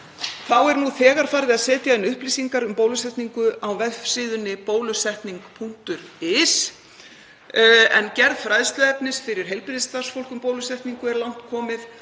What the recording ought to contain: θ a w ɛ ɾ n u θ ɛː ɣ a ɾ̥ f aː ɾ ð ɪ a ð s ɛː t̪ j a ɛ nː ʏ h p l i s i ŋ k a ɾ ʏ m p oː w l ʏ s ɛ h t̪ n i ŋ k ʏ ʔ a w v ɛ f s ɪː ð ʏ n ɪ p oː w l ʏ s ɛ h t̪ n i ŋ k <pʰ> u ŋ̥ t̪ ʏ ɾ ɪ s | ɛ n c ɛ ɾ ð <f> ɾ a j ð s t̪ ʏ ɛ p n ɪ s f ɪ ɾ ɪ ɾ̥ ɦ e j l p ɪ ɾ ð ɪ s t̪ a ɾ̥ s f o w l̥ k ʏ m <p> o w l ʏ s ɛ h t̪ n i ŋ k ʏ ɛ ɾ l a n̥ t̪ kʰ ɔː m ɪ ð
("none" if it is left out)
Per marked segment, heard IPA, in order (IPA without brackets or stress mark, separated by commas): pʰ, f, p